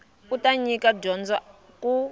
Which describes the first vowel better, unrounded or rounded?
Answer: rounded